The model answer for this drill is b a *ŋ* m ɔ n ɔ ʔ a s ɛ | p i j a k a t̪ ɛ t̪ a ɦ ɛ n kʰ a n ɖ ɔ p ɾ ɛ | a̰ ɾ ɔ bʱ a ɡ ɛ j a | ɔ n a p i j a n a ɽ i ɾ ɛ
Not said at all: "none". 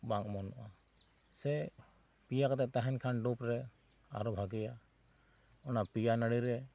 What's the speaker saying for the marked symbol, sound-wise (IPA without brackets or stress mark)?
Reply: ŋ